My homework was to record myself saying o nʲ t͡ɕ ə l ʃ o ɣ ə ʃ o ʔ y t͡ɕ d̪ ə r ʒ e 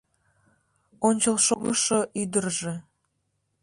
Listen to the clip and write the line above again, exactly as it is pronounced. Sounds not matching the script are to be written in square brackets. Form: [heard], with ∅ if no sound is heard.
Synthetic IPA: o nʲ t͡ɕ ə l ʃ o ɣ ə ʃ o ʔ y [∅] d̪ ə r ʒ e